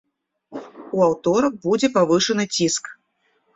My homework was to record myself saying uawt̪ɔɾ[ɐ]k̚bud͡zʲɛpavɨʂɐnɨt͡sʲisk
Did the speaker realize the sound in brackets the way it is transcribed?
yes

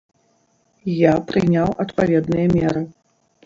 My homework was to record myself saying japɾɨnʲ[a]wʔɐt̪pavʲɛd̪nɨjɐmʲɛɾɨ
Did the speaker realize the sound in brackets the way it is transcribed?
yes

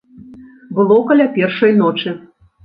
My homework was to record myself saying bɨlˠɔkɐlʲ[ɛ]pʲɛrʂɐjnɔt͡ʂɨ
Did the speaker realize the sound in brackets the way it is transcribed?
no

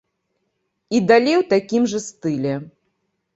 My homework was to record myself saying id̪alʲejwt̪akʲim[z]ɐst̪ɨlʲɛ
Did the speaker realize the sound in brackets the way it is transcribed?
no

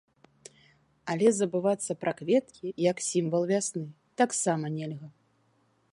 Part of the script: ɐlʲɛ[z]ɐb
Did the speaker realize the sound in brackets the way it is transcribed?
yes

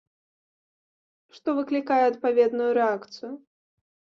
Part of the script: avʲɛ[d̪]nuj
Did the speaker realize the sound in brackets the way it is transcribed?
yes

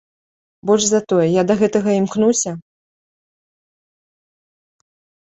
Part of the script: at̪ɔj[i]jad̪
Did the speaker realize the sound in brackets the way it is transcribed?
no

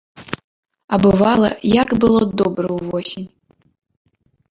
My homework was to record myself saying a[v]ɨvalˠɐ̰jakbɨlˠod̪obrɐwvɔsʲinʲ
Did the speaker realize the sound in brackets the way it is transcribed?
no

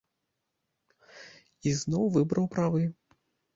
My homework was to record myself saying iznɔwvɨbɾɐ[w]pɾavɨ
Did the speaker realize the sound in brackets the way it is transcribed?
yes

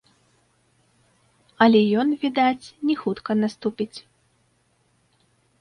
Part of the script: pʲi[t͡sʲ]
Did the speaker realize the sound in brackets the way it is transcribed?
yes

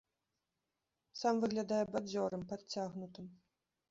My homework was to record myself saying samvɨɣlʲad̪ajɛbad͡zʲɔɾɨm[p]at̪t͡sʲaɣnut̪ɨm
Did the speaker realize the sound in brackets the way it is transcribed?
yes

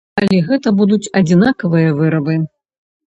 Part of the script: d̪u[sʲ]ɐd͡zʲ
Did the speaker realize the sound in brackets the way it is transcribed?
no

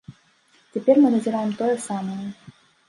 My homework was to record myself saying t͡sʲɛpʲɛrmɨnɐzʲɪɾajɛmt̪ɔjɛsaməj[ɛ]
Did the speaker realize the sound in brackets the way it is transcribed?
yes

